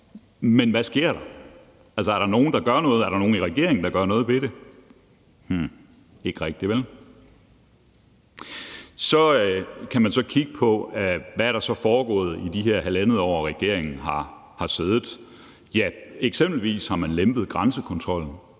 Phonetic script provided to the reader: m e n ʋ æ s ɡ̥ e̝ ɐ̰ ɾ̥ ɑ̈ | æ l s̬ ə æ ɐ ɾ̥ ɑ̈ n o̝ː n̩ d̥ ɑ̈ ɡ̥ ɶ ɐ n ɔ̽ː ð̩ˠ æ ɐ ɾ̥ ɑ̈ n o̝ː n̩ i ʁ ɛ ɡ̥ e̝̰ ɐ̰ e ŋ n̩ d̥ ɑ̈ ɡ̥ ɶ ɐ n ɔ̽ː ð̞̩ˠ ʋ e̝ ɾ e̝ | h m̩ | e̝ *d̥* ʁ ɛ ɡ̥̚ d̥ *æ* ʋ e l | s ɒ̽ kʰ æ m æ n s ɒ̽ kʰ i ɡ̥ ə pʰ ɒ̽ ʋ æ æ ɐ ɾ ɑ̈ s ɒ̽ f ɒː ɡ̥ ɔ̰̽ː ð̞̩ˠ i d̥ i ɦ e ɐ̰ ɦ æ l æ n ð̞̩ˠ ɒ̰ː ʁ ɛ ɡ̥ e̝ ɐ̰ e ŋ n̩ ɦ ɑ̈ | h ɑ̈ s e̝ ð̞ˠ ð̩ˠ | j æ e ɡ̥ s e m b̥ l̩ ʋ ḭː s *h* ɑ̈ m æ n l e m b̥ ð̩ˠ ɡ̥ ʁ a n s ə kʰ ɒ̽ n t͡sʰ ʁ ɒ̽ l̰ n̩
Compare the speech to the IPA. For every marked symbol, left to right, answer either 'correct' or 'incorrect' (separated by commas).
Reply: incorrect, incorrect, correct